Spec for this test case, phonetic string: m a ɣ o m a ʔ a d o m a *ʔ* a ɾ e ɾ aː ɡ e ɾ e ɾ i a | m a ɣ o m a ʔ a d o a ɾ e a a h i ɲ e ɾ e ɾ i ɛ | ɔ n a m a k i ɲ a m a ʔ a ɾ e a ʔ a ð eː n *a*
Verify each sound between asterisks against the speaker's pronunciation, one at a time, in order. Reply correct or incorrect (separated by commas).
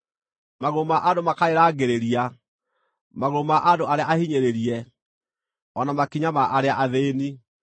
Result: incorrect, incorrect